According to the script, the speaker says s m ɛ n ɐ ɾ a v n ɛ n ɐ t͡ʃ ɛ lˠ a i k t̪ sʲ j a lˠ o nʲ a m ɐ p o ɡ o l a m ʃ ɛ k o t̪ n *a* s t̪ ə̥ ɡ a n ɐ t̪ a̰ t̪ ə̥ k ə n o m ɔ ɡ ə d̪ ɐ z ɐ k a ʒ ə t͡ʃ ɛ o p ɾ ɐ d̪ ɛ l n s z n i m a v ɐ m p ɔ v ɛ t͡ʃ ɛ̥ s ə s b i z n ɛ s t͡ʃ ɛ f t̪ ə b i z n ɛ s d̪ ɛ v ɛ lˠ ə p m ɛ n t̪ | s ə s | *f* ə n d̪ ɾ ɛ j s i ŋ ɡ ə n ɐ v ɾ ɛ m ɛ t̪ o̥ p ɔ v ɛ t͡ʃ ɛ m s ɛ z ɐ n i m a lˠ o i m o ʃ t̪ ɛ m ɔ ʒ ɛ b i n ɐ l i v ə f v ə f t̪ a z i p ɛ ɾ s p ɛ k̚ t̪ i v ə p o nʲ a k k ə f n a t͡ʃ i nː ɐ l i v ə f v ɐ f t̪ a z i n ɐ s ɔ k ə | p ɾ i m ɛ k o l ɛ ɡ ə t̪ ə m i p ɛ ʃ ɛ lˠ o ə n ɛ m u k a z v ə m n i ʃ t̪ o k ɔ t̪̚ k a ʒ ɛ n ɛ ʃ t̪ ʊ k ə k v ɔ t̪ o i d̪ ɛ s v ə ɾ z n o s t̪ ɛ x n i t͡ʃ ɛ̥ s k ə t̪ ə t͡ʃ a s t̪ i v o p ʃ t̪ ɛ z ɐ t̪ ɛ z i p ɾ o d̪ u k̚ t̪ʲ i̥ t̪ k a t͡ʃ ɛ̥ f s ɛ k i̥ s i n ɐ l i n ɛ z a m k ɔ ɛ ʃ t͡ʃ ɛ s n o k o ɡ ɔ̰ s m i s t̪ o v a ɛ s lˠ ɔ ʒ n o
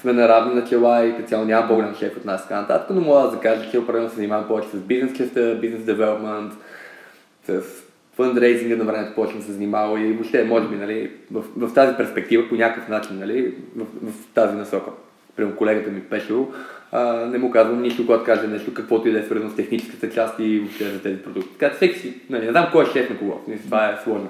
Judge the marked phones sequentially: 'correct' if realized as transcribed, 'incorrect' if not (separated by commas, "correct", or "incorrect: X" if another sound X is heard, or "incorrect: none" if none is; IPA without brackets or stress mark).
correct, correct